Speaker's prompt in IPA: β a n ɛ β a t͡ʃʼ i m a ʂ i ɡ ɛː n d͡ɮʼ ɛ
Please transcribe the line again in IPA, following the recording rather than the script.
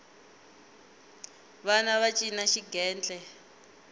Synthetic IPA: β a n a β a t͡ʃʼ i n a ʃ i ɡ ɛː n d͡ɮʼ ɛ